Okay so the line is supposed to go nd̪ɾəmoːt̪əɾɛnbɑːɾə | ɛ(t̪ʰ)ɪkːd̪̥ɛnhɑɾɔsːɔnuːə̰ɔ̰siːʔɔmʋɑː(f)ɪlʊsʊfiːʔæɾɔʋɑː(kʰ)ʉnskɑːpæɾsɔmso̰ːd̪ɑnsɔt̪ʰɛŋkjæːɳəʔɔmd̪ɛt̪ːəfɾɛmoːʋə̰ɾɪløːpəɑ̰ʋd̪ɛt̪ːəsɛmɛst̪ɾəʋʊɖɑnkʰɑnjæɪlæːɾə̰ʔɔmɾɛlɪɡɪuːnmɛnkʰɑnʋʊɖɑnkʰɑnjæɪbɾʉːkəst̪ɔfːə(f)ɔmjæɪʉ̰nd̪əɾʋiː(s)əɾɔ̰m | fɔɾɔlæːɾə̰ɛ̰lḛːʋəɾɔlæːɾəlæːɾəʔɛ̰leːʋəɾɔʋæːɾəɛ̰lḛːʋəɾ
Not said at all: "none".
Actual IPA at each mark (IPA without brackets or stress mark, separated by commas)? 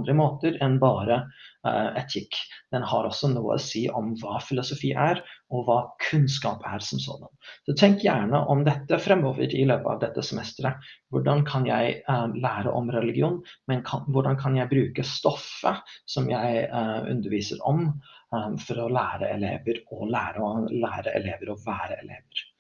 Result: t̪ʰ, f, kʰ, s, s